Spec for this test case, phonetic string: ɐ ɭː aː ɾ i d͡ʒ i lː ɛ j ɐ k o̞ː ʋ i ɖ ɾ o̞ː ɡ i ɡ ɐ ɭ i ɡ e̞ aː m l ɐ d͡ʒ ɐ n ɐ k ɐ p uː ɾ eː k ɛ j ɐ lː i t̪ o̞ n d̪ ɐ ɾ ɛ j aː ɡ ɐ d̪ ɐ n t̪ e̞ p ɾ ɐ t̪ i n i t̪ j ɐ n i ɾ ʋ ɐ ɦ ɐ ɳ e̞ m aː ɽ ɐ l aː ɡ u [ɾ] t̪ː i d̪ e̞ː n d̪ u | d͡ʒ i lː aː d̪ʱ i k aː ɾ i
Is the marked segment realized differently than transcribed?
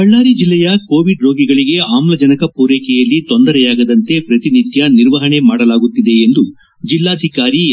yes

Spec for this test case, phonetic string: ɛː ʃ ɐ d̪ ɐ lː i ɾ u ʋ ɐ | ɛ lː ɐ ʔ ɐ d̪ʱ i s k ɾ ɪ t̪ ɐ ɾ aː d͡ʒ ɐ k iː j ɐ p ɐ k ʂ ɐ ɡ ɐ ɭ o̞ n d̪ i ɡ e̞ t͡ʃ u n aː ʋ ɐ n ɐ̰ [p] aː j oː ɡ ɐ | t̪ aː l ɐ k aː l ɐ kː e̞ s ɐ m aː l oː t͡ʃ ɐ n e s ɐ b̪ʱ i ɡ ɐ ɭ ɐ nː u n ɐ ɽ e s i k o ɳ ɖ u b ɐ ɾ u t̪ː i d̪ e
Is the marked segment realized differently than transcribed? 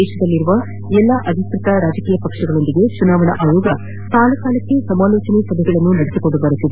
yes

